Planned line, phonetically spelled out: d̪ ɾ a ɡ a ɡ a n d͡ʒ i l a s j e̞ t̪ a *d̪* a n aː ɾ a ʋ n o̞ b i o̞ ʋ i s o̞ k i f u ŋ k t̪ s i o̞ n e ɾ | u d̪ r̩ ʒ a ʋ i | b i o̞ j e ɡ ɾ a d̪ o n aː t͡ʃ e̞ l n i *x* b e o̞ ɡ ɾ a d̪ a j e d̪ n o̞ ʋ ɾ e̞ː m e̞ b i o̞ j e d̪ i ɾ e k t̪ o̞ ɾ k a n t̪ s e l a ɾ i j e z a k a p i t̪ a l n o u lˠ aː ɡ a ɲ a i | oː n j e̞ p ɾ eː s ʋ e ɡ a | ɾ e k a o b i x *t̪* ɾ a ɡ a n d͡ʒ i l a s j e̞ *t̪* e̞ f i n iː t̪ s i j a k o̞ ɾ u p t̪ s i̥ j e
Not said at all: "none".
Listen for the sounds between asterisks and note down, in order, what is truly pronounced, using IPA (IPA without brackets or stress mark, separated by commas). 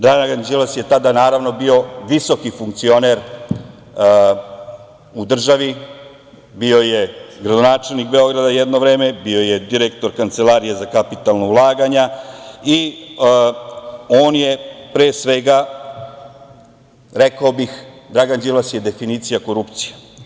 d̪, k, d̪, d̪